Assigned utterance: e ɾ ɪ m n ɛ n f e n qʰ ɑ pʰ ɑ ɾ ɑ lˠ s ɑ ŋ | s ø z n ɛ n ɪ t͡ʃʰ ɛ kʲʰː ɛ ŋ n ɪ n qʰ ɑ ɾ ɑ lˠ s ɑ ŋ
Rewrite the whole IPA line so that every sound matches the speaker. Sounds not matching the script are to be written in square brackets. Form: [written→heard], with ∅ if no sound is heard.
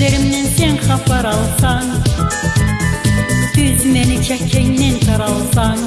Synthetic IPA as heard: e ɾ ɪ m n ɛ n [f→s] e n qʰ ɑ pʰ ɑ ɾ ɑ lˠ s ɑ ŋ | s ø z [n→m] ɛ n ɪ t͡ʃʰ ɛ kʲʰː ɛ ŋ n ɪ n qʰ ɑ ɾ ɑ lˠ s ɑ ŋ

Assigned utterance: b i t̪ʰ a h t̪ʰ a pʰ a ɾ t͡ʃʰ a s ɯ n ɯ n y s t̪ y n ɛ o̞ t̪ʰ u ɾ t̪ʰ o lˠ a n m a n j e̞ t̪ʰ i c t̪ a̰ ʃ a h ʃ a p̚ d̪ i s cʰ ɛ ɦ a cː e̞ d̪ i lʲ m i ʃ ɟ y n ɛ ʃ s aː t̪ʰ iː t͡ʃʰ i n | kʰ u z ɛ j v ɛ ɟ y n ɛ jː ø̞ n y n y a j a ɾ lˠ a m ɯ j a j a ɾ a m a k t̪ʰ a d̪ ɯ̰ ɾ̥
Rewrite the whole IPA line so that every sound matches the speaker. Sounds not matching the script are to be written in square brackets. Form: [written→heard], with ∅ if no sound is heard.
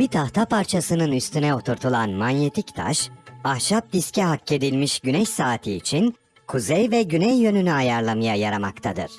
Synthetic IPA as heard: b i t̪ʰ a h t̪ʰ a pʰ a ɾ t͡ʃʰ a s ɯ n ɯ n y s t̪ y n ɛ o̞ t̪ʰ u ɾ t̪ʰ [o→u] lˠ a n m a n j e̞ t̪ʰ i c [t̪→t̪ʰ] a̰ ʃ a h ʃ a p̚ d̪ i s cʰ ɛ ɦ a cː e̞ d̪ i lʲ m i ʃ ɟ y n ɛ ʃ s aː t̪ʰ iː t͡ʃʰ i n | kʰ u z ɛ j v ɛ ɟ y n ɛ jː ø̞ n y n y a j a ɾ lˠ a m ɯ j a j a ɾ a m a k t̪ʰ a d̪ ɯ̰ ɾ̥

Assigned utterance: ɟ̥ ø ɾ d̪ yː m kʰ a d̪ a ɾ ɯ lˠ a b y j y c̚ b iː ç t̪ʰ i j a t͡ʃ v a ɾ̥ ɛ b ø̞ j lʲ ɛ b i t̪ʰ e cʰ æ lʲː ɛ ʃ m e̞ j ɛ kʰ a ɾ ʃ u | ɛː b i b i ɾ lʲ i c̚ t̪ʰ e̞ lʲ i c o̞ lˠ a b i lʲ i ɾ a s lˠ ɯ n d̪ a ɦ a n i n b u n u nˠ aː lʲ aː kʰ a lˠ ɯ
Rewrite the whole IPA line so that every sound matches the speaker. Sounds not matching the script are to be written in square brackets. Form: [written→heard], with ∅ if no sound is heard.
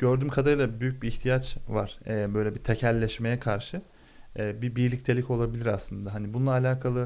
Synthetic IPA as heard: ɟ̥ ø ɾ d̪ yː m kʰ a d̪ a ɾ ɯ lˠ a b y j y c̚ b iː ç t̪ʰ i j a t͡ʃ v a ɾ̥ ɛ b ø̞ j lʲ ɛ b i t̪ʰ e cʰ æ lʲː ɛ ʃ m e̞ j ɛ kʰ a ɾ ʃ [u→ɯ] | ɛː b i b i ɾ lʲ i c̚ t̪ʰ e̞ lʲ i c o̞ lˠ a b i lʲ i ɾ a s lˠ ɯ n d̪ a ɦ a n i [n→∅] b u n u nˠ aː lʲ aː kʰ a lˠ ɯ

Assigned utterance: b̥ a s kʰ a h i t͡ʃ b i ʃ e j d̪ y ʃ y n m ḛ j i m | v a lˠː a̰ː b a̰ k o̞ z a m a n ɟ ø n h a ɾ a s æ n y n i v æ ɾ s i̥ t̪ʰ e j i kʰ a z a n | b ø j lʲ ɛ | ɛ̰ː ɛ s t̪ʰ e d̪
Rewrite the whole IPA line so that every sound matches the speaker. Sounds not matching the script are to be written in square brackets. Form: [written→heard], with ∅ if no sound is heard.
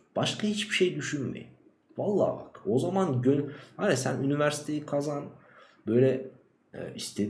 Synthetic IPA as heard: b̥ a [s→ʃ] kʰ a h i t͡ʃ b i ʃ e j d̪ y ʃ y n m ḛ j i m | v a lˠː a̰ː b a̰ k o̞ z a m a n ɟ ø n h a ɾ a s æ n y n i v æ ɾ s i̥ t̪ʰ e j i kʰ a z a n | b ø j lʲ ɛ | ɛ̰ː [ɛ→i] s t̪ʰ e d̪

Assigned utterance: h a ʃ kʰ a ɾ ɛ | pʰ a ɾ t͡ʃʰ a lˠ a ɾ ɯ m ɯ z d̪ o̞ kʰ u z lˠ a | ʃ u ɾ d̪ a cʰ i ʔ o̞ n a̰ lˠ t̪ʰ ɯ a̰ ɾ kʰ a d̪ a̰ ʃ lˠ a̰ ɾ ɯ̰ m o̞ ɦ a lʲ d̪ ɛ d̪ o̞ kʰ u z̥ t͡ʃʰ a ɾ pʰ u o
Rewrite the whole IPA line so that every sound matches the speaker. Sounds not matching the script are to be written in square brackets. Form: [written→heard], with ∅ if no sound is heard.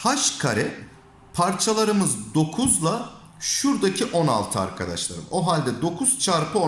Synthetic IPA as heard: h a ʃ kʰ a ɾ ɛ | pʰ a ɾ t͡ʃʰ a lˠ a ɾ ɯ m ɯ z d̪ o̞ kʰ u z lˠ a | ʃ u ɾ d̪ a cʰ i ʔ o̞ n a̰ lˠ t̪ʰ ɯ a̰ ɾ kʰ a d̪ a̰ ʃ lˠ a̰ ɾ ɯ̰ m o̞ ɦ a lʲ d̪ ɛ d̪ o̞ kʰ u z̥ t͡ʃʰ a ɾ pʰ [u→ɯ] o

